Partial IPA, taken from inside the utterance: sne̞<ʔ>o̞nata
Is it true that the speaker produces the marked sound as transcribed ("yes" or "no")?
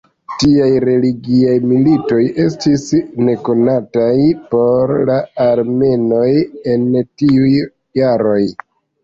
no